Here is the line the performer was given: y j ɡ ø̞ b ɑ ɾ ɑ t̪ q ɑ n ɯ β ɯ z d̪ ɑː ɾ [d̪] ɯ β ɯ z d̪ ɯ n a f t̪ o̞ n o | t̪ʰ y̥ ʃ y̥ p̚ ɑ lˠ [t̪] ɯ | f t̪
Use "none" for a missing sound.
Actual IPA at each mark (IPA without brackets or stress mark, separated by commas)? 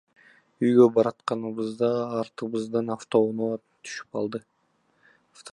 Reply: t̪, d̪